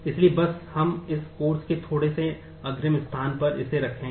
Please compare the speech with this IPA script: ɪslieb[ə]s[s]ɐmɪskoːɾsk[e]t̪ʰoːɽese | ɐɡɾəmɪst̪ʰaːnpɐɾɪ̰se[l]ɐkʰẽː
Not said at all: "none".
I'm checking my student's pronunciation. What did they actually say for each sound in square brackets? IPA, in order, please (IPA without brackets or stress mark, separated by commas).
ɐ, h, e, ɾ